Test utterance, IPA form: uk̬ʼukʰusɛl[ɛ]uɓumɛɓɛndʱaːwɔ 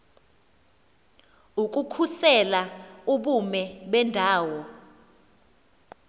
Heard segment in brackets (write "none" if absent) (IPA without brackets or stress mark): a